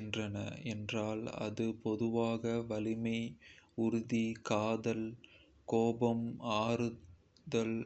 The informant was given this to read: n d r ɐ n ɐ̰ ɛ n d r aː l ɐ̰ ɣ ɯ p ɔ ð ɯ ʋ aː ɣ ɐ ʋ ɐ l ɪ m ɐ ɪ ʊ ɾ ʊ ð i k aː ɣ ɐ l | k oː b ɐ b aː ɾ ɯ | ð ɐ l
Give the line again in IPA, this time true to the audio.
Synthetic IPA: n d r ɐ n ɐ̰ ɛ n d r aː l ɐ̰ ð ɯ p ɔ ð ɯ ʋ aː ɣ ɐ ʋ ɐ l ɪ m ɐ ɪ ʊ ɾ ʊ ð i k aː ð ɐ l | k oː b ɐ m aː ɾ ɯ | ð ɐ l